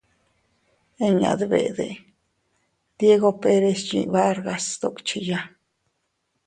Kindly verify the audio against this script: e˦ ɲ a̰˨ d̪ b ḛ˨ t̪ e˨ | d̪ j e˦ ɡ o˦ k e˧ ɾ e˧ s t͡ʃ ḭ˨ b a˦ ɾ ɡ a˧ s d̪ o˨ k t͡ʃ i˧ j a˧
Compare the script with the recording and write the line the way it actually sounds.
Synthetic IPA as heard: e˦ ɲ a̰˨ d̪ b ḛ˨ d̪ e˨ | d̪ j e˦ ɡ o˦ p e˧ ɾ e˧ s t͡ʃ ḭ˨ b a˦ ɾ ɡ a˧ s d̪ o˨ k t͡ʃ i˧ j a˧

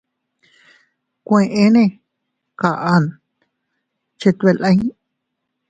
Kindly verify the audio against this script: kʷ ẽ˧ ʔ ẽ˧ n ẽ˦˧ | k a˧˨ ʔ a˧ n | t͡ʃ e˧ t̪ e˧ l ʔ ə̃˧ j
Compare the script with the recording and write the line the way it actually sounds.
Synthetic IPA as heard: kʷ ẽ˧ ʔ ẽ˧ n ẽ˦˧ | k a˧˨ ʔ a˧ n | t͡ʃ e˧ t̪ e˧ l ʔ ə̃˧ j

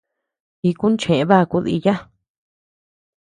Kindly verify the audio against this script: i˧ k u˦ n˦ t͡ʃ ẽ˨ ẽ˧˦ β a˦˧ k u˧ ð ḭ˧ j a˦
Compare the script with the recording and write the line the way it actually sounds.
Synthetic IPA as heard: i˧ k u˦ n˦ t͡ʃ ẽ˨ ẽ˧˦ β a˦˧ k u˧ ð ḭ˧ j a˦

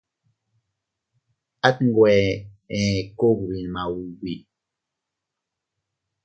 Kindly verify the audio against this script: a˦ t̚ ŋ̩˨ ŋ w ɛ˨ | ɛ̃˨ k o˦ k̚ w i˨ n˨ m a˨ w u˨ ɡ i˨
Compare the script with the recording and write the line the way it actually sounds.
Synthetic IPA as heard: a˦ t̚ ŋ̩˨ ɡ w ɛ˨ | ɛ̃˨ k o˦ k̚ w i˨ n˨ m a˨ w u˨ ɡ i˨

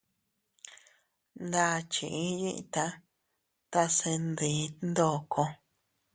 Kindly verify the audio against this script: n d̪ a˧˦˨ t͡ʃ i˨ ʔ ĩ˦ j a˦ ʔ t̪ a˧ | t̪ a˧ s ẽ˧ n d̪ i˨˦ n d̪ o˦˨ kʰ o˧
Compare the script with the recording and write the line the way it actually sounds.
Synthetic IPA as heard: n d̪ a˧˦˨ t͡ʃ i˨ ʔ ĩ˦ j i˦ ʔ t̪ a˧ | t̪ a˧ s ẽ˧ n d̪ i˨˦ n d̪ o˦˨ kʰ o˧

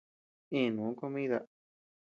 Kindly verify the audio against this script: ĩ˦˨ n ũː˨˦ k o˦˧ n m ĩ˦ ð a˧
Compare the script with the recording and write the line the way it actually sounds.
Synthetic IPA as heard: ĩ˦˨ n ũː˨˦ k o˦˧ m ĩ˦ ð a˧

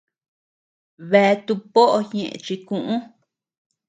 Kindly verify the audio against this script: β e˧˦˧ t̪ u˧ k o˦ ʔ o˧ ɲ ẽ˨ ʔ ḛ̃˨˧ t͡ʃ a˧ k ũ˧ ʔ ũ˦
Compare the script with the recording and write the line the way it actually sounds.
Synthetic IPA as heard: β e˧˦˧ t̪ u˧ p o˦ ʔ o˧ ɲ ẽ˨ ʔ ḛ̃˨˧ t͡ʃ i˧ k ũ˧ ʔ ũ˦

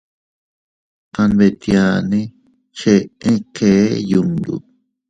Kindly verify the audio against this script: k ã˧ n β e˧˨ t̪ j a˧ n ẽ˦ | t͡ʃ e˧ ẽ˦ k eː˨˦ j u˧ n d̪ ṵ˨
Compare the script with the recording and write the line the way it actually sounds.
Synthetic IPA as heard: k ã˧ n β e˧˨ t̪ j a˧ n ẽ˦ | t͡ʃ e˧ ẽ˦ k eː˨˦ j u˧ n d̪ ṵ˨

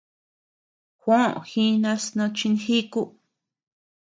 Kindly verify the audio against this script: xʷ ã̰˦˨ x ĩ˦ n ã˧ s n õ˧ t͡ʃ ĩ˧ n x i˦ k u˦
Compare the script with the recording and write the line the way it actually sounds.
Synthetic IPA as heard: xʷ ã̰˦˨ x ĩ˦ n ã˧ s n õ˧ t͡ʃ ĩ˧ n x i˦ k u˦

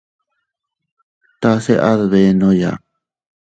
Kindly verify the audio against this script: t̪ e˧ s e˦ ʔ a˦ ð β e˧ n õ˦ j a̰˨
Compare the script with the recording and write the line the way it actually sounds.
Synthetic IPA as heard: t̪ a˧ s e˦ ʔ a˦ ð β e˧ n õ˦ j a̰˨

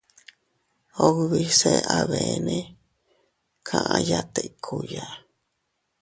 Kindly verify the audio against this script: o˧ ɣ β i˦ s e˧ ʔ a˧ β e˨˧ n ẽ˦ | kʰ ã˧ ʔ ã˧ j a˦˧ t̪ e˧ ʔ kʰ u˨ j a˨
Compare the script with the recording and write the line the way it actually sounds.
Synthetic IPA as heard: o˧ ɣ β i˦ s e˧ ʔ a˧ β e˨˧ n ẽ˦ | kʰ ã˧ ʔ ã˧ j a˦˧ t̪ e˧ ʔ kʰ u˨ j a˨

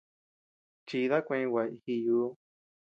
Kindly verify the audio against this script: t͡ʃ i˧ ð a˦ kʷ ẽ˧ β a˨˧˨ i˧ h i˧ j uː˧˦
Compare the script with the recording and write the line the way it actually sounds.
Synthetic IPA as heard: t͡ʃ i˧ ð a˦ kʷ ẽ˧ w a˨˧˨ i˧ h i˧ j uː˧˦

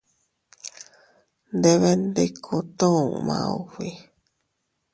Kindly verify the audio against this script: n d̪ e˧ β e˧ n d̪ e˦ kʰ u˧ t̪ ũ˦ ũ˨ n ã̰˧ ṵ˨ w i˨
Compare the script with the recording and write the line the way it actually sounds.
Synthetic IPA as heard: n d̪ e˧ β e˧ n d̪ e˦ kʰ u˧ t̪ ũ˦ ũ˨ m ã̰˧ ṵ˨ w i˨

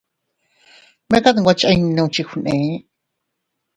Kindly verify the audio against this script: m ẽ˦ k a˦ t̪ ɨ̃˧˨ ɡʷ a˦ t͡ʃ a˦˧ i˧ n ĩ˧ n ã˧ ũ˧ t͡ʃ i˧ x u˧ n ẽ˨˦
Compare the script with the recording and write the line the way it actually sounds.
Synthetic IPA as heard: m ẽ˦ k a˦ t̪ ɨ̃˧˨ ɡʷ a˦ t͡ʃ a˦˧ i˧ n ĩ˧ n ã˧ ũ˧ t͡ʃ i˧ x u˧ n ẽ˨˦

